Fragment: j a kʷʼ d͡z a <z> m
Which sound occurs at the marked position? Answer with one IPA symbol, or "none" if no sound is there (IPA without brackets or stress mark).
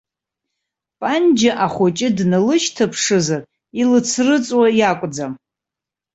none